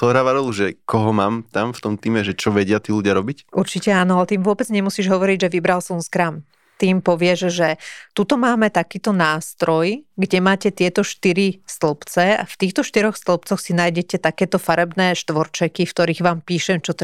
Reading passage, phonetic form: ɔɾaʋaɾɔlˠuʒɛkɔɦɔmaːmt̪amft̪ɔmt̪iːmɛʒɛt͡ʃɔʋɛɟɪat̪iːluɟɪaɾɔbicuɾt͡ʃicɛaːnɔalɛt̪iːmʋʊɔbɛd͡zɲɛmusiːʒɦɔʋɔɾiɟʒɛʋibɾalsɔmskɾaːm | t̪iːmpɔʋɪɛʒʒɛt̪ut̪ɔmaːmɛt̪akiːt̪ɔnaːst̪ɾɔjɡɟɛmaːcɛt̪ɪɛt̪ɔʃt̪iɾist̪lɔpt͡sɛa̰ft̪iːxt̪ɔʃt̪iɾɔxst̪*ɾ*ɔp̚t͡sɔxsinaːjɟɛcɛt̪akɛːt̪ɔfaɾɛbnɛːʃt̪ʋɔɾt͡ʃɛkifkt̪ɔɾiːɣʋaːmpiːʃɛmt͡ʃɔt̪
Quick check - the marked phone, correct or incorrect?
incorrect